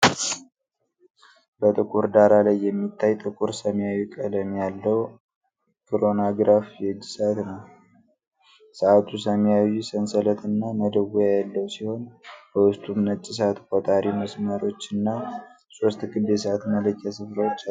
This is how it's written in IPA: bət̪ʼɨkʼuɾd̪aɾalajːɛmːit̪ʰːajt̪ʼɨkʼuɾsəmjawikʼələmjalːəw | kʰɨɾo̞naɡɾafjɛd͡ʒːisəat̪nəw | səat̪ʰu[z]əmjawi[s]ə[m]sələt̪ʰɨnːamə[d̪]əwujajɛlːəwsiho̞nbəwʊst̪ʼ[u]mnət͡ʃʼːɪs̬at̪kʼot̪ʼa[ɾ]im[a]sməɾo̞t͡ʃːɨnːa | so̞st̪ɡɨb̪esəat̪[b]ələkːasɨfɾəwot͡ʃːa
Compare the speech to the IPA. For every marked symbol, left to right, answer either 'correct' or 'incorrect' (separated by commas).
incorrect, correct, incorrect, correct, correct, correct, incorrect, incorrect